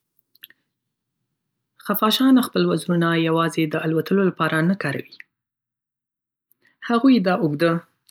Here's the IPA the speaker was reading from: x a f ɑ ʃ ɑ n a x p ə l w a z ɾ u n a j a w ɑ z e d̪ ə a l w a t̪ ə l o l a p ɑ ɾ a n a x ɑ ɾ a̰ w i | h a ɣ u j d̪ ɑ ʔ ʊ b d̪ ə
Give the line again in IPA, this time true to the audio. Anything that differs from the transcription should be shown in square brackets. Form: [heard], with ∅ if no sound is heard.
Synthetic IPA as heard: x a f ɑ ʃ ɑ n a x p ə l w a z ɾ u n a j a w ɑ z e d̪ ə a l w a t̪ ə l o l a p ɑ ɾ a n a [k] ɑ ɾ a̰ w i | h a ɣ u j d̪ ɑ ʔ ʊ [ɡ] d̪ ə

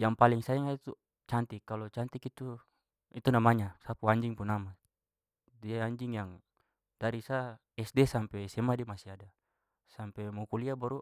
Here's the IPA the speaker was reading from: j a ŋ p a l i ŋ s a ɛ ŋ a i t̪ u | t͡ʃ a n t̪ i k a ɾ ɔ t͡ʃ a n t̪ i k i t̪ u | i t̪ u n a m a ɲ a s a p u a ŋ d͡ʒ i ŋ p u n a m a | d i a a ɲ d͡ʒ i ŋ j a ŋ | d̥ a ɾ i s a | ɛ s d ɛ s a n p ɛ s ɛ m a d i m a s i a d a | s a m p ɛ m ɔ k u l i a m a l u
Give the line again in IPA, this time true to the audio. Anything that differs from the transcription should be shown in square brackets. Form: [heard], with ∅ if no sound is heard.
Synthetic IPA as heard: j a ŋ p a l i ŋ s a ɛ ŋ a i t̪ u | t͡ʃ a n t̪ i k a [l] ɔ t͡ʃ a n t̪ i k i t̪ u | i t̪ u n a m a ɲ a s a p u a [ɲ] d͡ʒ i ŋ p u n a m a | d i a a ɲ d͡ʒ i ŋ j a ŋ | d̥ a ɾ i s a | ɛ s d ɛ s a [m] p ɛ s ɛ m a d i m a s i a d a | s a m p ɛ m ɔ k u l i a [b] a [ɾ] u

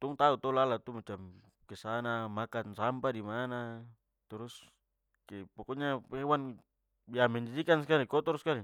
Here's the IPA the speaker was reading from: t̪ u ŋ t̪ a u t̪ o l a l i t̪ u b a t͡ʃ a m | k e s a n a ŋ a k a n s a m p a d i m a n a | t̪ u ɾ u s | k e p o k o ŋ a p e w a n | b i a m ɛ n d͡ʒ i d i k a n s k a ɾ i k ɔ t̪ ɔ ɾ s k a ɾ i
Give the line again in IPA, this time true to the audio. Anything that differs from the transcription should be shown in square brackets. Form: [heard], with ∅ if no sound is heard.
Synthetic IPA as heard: t̪ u ŋ t̪ a u t̪ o l a l [a] t̪ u [m] a t͡ʃ a m | k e s a n a [m] a k a n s a m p a d i m a n a | t̪ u ɾ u s | k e p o k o [ɲ] a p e w a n | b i a m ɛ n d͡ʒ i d i k a n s k a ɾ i k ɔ t̪ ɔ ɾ s k a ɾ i

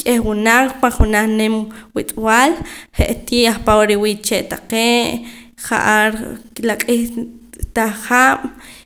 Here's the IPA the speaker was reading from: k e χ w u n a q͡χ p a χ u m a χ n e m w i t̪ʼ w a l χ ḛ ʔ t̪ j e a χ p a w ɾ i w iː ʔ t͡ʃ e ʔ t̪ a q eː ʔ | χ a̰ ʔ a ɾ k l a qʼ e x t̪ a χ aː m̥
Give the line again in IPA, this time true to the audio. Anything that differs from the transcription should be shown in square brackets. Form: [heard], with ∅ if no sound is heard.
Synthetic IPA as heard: [kʼ] e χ w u n a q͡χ p a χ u [n] a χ n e m w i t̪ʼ w a l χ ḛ ʔ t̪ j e a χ p a w ɾ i w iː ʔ t͡ʃ e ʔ t̪ a q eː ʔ | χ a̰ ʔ a ɾ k l a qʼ [i] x t̪ a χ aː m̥

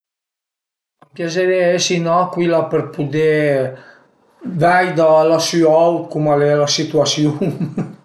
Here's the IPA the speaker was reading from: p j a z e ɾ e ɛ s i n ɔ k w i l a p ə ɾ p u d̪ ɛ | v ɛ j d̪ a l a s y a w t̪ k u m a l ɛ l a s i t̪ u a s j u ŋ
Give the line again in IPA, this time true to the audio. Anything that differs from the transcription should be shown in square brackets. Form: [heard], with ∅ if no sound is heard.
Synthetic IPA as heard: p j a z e ɾ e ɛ s i n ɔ k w i l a p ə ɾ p u d̪ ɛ | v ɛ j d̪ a l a s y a w t̪ k u m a l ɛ l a s i t̪ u a s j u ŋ

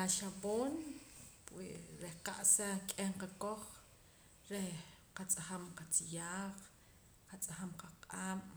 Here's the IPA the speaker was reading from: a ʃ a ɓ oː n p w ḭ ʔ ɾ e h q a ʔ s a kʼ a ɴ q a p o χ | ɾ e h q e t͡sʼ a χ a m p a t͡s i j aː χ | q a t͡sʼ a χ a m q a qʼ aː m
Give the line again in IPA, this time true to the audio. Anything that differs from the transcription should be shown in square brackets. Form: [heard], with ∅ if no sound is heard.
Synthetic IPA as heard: a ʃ a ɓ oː n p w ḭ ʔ ɾ e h q a ʔ s a kʼ [e] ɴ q a [k] o χ | ɾ e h q [a] t͡sʼ a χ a m [q] a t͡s i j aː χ | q a t͡sʼ a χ a m q a qʼ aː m

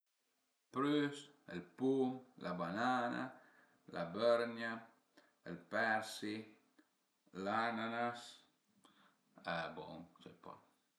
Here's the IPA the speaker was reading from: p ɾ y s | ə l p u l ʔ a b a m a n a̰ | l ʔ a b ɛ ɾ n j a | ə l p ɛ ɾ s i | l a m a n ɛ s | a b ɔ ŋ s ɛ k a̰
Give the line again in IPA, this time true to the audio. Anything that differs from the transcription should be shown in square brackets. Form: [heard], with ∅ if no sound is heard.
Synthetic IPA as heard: p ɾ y s | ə l p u l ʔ a b a [n] a n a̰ | l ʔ a b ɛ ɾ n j a | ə l p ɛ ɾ s i | l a [n] a n [a] s | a b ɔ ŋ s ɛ [p] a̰

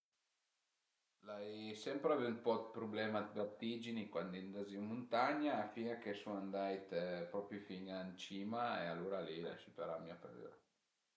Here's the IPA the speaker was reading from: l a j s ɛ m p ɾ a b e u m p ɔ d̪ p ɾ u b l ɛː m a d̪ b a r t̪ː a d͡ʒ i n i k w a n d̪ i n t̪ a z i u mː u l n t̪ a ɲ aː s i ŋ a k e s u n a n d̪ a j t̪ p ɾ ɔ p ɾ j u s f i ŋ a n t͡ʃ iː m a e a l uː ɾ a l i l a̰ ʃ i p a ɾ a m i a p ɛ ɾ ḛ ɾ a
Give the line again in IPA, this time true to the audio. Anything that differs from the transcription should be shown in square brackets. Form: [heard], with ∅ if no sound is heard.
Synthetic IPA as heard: l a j s ɛ m p ɾ a [v] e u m p ɔ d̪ p ɾ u b l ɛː m a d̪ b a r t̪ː [i] d͡ʒ i n i k w a n d̪ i n [d̪] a z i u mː u [∅] n t̪ a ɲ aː [f] i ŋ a k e s u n a n d̪ a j t̪ p ɾ ɔ p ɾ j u [∅] f i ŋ a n t͡ʃ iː m a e a l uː ɾ a l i l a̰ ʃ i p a ɾ a m i a p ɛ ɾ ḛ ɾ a

